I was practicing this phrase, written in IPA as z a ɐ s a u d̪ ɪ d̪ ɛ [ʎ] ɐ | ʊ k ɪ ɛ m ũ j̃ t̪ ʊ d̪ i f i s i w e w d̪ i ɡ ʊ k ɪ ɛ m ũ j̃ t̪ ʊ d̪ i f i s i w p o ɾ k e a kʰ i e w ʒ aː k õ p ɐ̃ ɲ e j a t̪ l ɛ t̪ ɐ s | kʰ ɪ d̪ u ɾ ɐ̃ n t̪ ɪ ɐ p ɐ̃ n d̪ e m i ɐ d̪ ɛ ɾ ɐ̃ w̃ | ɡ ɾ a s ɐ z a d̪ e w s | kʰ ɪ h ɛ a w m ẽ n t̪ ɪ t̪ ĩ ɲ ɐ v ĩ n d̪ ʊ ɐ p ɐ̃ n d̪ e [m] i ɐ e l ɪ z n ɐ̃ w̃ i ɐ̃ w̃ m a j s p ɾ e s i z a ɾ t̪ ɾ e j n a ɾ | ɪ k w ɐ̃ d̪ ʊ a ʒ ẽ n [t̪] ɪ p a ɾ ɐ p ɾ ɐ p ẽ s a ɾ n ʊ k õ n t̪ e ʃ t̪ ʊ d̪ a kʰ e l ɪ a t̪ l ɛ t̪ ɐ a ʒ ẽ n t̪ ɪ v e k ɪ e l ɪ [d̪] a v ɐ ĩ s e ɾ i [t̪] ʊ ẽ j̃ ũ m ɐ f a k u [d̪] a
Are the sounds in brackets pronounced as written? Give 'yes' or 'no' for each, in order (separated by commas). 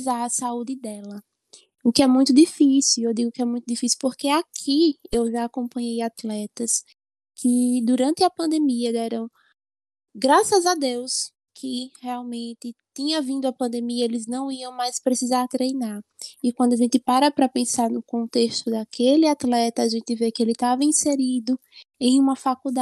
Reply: no, yes, yes, no, no, yes